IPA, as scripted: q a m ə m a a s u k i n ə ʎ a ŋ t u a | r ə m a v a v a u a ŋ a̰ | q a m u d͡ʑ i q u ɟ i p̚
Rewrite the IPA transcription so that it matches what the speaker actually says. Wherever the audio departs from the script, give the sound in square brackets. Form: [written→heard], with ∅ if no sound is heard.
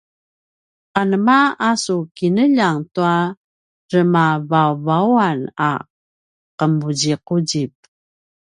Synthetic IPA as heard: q a [m→n] ə m a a s u k i n ə ʎ a ŋ t u a | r ə m a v a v a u a [ŋ→n] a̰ | q [a→ə] m u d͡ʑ i q u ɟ i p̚